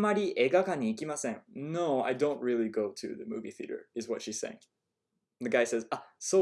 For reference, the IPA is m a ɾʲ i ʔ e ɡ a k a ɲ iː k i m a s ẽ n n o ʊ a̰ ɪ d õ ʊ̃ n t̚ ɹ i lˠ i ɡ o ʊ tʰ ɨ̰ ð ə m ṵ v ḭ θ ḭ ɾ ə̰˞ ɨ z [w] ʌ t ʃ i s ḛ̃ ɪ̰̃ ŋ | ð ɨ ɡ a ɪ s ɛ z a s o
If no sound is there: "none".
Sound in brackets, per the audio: w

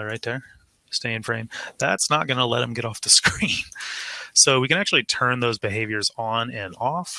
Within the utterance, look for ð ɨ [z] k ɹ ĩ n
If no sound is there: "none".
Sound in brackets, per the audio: s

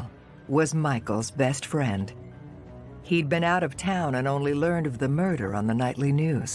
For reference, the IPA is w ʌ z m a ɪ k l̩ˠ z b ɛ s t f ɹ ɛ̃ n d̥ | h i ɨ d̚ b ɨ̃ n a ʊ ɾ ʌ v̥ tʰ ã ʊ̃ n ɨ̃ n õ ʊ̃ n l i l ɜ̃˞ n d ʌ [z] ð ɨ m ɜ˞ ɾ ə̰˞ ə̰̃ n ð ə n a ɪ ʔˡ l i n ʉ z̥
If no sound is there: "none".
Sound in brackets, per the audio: v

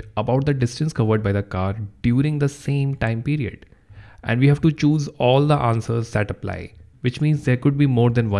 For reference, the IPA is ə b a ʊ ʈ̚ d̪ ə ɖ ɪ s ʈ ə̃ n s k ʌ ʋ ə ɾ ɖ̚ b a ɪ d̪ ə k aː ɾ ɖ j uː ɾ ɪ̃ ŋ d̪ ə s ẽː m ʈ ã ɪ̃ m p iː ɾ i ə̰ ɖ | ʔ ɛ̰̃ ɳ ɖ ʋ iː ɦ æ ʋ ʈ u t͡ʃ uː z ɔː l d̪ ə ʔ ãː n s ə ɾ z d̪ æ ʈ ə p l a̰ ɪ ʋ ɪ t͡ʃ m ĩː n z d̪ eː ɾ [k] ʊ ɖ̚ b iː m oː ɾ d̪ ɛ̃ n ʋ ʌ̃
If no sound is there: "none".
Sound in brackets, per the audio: k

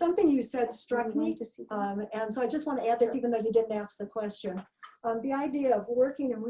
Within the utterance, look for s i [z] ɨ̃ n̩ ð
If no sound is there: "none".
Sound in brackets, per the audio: v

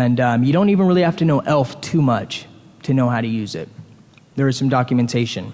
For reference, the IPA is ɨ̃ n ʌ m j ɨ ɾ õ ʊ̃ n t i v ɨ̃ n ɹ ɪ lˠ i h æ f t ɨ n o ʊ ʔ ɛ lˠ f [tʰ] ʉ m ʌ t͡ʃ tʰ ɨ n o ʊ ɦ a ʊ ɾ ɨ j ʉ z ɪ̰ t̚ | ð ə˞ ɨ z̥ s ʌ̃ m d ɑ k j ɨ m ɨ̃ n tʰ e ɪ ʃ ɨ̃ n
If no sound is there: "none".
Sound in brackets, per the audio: tʰ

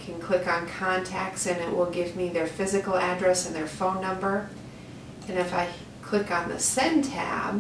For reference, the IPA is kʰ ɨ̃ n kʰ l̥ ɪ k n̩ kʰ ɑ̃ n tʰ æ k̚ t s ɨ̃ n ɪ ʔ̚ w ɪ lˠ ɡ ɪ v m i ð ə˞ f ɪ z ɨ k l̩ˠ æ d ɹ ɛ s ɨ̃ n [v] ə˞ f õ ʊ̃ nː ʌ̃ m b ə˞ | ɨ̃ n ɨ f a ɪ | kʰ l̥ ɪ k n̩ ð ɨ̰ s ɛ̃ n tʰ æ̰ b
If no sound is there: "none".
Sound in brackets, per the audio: ð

